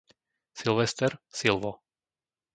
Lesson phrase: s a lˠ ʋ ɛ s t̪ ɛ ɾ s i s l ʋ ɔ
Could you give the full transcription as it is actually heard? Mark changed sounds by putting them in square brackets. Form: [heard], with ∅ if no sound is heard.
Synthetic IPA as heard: s [i] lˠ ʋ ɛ s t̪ ɛ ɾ s i [∅] l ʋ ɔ